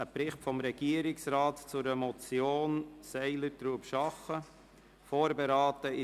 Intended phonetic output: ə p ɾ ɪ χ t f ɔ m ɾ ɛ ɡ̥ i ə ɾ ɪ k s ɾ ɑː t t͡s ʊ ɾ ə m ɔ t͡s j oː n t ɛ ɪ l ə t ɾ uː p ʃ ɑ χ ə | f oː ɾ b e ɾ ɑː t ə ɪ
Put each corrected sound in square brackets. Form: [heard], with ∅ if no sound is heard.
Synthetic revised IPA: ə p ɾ ɪ χ t f ɔ m ɾ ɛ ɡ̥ i ə ɾ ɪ k s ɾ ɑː t t͡s ʊ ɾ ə m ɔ t͡s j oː n [s] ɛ ɪ l ə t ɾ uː p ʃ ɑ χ ə | f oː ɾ b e ɾ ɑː t ə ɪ